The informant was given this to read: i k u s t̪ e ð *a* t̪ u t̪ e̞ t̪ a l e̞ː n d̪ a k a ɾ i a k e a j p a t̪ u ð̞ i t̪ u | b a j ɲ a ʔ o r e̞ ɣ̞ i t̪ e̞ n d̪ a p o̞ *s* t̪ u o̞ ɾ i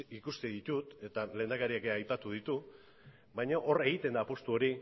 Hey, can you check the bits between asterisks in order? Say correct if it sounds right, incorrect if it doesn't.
incorrect, correct

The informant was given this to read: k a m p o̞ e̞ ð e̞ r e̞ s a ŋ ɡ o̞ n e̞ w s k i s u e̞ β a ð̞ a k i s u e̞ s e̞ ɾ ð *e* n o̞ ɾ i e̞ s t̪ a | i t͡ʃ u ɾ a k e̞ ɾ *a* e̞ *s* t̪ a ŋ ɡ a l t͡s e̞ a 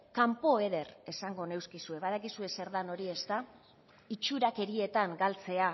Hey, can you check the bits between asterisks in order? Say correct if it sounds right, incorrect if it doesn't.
incorrect, incorrect, incorrect

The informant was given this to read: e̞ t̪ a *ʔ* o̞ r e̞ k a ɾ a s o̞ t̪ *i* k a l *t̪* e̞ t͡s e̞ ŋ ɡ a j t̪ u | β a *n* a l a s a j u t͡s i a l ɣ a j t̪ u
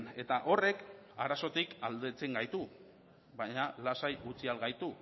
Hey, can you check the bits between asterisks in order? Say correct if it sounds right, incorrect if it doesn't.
correct, correct, incorrect, incorrect

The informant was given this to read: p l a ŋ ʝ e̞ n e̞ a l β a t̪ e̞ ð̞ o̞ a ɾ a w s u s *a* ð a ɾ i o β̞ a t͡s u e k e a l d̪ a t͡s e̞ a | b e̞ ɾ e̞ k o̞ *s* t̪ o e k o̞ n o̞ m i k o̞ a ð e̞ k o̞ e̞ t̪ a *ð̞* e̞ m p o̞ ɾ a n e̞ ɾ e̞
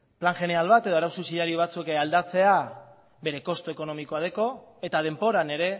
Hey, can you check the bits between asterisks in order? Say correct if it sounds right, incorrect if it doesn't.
incorrect, correct, correct

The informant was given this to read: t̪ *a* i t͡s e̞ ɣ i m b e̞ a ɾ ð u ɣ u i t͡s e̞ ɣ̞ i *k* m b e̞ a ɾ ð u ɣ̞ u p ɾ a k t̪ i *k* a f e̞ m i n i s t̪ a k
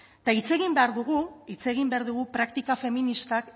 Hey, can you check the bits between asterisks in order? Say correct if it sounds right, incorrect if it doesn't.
correct, incorrect, correct

